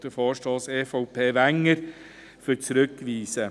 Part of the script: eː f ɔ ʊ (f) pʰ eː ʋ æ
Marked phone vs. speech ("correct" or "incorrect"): incorrect